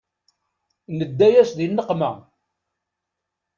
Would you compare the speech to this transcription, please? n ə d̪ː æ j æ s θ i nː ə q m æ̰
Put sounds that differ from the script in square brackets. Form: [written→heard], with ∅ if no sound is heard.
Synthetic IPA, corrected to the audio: n ə d̪ː æ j æ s [θ→ð] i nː ə q m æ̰